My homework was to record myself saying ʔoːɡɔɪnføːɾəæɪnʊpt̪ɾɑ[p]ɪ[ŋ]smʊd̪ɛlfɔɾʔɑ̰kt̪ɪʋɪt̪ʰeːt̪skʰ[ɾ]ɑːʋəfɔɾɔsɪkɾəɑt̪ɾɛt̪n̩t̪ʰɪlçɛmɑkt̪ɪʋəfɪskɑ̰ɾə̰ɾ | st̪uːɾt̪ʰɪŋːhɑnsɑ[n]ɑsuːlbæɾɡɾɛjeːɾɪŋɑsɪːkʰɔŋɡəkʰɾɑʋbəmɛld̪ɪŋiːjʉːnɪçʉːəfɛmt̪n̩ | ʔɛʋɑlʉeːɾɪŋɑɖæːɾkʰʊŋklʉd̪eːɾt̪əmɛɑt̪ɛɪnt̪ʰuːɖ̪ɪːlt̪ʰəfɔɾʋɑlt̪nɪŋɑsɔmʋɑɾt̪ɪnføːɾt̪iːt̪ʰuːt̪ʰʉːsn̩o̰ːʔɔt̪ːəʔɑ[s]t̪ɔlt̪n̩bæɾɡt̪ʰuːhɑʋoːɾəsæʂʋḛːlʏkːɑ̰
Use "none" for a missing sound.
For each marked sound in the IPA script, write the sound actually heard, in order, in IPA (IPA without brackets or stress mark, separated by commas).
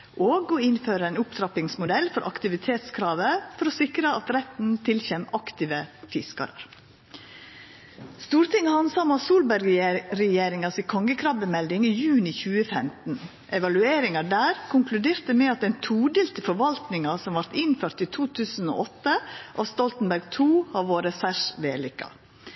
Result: p, ŋ, ɾ, m, s